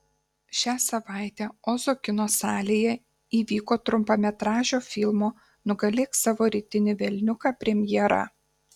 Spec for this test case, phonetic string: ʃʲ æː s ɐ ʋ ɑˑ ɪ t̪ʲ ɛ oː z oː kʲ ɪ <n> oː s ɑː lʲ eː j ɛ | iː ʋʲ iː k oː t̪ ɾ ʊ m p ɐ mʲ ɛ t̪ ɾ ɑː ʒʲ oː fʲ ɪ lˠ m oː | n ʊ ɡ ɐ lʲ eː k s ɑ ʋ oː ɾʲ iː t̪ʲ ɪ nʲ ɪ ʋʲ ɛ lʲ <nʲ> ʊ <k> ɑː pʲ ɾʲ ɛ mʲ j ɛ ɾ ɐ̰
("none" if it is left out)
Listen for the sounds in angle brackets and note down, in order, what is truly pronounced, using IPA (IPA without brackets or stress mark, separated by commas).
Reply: n, nʲ, k